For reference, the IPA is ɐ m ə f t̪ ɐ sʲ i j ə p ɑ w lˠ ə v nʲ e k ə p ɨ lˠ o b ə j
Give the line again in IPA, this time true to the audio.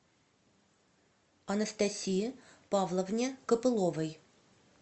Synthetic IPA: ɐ n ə s t̪ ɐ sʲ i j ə p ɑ v lˠ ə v nʲ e k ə p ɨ lˠ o v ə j